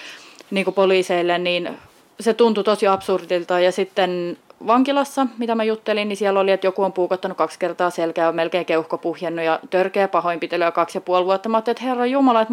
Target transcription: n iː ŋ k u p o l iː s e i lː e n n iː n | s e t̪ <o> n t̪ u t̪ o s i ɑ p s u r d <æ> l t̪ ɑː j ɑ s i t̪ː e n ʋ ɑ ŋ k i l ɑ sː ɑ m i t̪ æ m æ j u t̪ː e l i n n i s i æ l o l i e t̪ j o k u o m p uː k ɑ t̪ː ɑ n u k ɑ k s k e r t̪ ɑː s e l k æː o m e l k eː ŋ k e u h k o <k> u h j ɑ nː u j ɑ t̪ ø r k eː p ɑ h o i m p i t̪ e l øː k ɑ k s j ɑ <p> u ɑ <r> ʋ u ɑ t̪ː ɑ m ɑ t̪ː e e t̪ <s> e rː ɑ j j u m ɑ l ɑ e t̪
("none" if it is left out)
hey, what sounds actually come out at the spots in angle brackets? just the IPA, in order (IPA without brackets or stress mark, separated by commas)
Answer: u, i, p, p, l, h